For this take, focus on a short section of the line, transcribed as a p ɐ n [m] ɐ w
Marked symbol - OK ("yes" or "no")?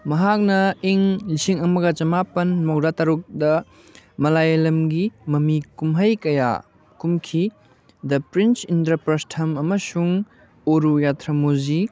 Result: yes